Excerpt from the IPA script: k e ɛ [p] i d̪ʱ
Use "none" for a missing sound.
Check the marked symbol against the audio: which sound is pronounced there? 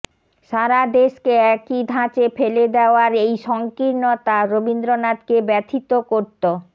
k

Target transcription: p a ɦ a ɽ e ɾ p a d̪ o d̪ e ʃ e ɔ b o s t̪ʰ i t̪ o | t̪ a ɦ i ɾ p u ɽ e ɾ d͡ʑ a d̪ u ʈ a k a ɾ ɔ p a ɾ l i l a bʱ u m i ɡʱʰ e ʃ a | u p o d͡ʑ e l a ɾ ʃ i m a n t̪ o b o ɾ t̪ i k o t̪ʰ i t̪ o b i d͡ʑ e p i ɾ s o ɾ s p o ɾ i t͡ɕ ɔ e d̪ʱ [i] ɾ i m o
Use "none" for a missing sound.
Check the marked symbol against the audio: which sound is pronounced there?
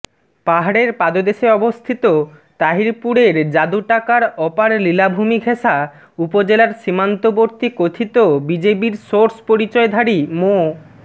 a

